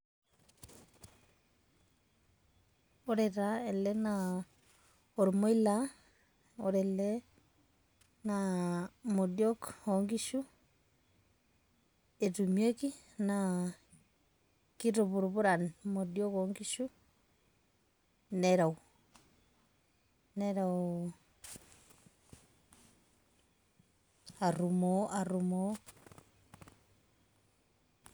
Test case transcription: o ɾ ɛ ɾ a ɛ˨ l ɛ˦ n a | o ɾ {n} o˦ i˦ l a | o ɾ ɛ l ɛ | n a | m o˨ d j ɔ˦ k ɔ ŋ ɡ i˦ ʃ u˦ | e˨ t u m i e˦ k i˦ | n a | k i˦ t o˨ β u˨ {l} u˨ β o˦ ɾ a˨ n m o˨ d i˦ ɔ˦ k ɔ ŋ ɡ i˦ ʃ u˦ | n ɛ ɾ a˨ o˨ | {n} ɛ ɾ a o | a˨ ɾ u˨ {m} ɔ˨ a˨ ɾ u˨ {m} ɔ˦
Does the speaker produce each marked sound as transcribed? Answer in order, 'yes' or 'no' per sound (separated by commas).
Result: no, no, yes, yes, yes